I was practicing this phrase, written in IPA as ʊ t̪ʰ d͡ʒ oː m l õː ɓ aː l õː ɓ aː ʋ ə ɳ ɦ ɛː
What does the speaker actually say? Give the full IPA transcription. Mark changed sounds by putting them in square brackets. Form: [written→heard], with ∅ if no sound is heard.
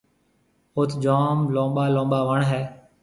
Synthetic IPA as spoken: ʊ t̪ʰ d͡ʒ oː m l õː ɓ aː l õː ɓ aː ʋ ə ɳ ɦ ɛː